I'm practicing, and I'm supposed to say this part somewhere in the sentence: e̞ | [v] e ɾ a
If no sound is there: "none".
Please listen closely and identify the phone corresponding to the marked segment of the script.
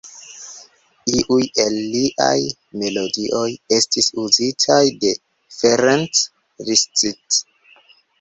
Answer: f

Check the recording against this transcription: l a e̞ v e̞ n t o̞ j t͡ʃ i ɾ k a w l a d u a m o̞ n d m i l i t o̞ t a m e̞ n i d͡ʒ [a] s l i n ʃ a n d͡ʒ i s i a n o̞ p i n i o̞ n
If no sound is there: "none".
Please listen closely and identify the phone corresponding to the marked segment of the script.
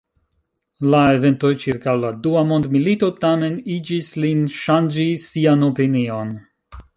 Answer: i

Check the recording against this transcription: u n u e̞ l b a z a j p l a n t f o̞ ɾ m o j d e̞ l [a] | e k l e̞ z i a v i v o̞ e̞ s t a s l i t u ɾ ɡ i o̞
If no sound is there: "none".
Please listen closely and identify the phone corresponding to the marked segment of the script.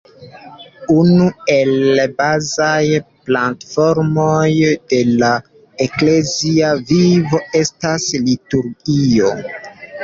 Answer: a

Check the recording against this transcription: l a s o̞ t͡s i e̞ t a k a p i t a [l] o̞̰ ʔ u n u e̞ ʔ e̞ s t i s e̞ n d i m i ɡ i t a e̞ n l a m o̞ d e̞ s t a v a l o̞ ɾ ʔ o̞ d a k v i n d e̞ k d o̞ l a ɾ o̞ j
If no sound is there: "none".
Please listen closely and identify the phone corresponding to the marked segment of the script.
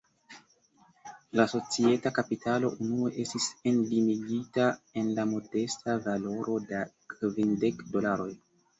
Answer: l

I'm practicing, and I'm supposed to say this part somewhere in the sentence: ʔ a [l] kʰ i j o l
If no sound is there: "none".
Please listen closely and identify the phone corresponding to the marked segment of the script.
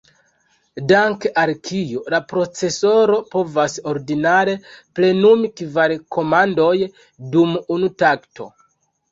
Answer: l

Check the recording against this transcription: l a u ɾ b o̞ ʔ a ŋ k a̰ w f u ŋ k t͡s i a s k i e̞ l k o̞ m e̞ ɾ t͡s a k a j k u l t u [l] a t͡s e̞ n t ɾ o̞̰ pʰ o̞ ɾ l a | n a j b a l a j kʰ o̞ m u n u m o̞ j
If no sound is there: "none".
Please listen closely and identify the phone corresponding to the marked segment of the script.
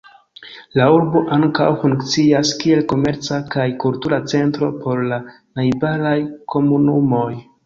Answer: ɾ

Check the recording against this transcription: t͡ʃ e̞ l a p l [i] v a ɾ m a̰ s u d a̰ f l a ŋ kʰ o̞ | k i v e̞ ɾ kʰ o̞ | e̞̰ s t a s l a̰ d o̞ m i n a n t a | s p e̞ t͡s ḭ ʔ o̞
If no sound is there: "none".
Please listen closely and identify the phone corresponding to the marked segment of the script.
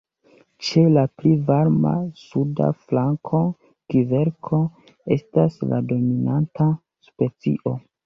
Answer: i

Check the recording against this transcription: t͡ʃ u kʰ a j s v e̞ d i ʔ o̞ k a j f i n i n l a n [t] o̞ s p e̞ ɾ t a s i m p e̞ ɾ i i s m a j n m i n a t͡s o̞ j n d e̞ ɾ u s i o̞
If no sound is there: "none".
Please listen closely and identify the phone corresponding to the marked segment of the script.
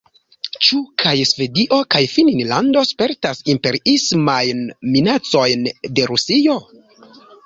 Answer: d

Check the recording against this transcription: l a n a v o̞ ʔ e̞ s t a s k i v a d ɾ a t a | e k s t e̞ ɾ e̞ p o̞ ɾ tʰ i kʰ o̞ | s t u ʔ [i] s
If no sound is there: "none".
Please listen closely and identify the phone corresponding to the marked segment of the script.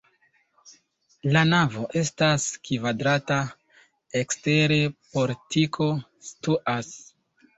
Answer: a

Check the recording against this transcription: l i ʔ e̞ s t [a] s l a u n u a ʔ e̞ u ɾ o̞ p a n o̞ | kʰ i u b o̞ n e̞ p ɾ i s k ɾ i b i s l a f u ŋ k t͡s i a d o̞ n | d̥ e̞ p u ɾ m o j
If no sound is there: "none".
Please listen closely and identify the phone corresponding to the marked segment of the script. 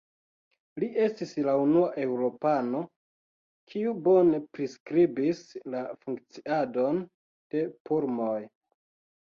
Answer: i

